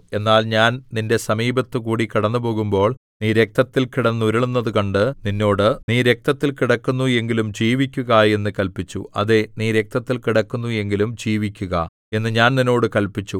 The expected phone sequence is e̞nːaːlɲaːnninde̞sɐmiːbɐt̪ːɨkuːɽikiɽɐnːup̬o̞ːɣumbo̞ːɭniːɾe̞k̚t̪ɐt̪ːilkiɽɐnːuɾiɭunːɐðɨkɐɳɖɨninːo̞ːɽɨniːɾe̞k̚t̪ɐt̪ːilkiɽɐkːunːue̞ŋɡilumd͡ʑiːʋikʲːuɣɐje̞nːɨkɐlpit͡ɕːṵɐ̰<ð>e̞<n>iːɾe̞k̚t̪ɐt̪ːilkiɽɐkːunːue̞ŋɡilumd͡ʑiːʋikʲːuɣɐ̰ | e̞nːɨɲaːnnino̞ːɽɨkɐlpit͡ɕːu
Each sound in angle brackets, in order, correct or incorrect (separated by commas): correct, correct